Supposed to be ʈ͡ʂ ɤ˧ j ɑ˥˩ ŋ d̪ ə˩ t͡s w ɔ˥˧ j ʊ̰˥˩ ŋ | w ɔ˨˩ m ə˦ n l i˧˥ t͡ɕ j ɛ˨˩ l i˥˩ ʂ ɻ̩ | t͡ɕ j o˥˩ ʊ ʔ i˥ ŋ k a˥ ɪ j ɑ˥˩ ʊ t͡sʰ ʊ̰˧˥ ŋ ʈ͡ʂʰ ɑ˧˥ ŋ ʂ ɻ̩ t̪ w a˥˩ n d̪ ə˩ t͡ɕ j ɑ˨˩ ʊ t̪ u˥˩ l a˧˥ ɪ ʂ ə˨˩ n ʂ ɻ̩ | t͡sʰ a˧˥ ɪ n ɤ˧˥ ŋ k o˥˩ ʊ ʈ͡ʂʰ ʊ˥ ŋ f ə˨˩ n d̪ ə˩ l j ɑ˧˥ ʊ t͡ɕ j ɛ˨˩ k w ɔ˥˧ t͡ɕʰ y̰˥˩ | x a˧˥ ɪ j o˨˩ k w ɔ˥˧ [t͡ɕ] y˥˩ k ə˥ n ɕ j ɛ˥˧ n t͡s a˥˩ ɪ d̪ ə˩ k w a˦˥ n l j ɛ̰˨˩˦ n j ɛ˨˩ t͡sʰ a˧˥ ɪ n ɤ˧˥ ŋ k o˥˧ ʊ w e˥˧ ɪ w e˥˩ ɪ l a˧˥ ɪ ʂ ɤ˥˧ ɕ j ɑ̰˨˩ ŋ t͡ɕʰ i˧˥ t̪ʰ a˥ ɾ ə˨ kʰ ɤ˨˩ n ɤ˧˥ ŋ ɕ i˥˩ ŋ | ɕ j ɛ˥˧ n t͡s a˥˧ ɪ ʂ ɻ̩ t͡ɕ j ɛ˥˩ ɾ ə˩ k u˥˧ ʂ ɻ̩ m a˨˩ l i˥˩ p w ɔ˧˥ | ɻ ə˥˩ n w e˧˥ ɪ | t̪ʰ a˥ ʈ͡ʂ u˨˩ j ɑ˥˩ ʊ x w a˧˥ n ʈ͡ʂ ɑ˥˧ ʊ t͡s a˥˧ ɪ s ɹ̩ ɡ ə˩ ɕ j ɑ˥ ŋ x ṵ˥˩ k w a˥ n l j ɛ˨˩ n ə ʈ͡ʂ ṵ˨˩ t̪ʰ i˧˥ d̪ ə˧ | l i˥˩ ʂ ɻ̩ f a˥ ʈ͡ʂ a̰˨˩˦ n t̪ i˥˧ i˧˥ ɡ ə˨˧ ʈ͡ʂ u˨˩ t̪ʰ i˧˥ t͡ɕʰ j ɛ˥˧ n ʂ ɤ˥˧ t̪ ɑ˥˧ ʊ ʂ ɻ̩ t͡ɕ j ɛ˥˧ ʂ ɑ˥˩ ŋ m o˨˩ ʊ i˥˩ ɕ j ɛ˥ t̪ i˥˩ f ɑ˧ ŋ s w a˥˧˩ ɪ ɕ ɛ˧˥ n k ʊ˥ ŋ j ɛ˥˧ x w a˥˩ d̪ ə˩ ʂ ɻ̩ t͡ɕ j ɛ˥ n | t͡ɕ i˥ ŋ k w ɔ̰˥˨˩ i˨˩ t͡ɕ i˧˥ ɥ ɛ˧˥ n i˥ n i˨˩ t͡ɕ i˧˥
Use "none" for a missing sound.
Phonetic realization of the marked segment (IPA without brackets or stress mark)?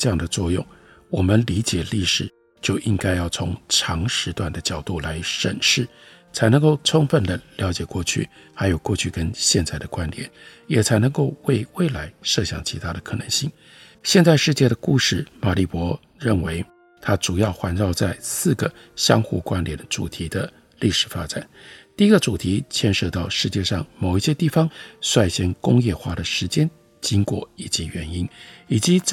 t͡ɕʰ